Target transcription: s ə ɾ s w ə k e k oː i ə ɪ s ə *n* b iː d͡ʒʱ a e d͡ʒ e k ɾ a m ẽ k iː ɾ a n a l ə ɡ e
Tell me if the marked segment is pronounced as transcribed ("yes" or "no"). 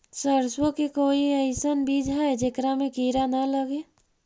yes